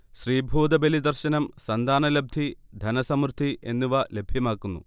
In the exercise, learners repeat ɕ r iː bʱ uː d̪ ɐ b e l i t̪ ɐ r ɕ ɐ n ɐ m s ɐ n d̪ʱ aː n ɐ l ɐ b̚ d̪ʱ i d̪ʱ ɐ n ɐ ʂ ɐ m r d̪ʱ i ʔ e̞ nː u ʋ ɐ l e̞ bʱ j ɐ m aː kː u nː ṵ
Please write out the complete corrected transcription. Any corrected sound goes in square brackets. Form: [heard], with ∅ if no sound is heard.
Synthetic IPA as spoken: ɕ r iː bʱ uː d̪ ɐ b e l i [d̪] ɐ r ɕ ɐ n ɐ m s ɐ n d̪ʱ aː n ɐ l ɐ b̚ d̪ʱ i d̪ʱ ɐ n ɐ [s] ɐ m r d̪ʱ i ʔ e̞ nː u ʋ ɐ l e̞ bʱ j ɐ m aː kː u nː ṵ